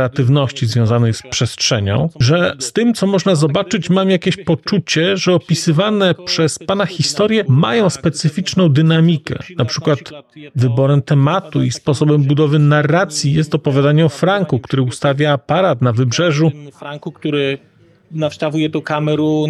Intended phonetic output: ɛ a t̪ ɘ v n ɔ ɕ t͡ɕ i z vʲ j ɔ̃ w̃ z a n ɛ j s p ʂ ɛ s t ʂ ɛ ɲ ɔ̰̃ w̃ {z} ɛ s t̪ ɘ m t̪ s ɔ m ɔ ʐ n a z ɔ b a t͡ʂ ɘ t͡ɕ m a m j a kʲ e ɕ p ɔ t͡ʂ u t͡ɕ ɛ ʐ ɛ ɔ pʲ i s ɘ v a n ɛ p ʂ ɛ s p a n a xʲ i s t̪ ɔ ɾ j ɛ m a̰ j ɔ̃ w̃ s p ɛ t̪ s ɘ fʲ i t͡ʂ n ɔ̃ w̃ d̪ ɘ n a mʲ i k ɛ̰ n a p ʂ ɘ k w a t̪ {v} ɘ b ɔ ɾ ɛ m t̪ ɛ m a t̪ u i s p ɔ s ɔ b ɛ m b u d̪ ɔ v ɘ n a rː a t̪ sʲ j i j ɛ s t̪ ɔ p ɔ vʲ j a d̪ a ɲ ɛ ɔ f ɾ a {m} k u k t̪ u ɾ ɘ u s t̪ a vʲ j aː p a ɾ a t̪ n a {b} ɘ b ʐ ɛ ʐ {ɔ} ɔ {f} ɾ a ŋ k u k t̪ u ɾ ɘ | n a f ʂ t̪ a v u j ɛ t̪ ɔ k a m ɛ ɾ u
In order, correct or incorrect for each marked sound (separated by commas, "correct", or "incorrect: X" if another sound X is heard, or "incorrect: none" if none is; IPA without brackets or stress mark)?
incorrect: ʐ, correct, incorrect: ŋ, incorrect: v, incorrect: u, correct